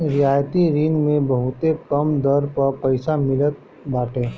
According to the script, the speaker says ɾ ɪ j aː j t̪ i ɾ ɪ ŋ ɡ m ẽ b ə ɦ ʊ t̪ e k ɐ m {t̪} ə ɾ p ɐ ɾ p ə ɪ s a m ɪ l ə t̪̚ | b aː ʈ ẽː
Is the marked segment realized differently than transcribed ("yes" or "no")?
yes